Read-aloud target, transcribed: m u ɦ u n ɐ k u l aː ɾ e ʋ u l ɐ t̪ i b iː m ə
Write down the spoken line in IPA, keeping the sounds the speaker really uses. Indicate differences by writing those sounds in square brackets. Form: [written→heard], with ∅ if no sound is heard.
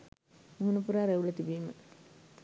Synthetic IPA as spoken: m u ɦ u n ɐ [k→p] u [l→ɾ] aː ɾ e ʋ u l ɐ t̪ i b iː m ə